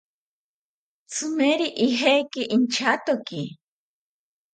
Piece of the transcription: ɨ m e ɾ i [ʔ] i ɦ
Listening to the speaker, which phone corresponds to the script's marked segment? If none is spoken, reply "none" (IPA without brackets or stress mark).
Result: ʔ